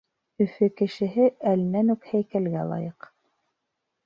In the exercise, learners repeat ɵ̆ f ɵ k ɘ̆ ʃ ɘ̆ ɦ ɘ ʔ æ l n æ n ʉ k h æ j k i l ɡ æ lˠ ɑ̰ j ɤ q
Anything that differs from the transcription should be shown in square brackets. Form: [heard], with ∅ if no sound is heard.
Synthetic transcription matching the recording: ɵ̆ f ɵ k ɘ̆ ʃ ɘ̆ ɦ ɘ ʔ æ l n æ n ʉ k h æ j k [æ] l ɡ æ lˠ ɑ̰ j ɤ q